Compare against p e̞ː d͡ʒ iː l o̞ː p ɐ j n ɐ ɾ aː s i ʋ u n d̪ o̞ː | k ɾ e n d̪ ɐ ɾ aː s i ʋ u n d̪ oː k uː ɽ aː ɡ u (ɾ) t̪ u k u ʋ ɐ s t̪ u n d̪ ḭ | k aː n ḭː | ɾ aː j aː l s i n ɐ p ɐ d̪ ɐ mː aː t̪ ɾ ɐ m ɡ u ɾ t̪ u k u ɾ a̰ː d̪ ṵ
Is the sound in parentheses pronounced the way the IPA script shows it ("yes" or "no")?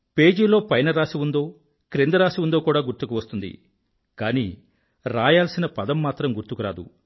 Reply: yes